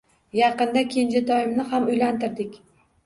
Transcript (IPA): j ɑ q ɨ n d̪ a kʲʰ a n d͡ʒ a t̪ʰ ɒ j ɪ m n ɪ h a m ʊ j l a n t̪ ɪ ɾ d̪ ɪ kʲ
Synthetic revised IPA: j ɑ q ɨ n d̪ a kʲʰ e n d͡ʒ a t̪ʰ ɒ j ɪ m n ɪ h a m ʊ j l a n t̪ ɪ ɾ d̪ ɪ kʲ